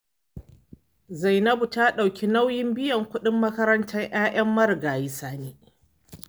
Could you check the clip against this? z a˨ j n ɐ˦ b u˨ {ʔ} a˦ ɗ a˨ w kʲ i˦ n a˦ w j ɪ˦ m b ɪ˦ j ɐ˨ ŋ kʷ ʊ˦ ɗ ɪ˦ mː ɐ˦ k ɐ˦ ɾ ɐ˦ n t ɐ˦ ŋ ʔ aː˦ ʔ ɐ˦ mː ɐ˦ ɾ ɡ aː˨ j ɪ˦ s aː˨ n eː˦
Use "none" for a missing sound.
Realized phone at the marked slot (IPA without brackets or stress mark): t